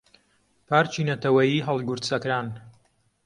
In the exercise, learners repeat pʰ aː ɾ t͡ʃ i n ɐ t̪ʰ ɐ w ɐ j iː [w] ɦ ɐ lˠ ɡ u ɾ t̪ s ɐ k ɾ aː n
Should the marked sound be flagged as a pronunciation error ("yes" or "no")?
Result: yes